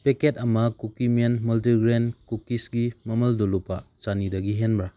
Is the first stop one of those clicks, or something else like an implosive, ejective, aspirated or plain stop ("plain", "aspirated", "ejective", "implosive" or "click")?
plain